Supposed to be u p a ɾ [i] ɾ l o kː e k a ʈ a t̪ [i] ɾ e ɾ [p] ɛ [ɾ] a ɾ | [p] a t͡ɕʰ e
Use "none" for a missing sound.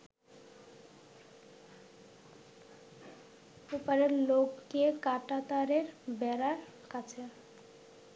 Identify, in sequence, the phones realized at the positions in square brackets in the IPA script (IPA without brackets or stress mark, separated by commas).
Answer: e, a, b, ɾ, k